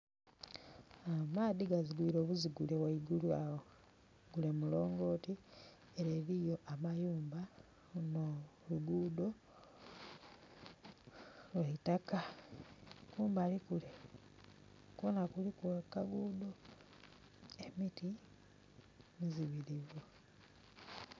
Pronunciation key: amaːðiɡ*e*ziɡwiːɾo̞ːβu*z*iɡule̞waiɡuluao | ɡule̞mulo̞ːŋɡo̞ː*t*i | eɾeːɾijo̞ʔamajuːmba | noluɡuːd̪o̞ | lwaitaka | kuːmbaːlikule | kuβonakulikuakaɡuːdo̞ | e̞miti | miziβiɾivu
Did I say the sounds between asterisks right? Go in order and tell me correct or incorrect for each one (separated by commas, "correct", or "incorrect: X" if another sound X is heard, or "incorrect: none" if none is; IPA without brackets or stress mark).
incorrect: a, correct, correct